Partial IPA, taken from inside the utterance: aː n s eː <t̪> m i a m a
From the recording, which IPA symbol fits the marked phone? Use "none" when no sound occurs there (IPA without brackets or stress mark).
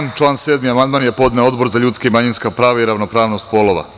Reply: d̪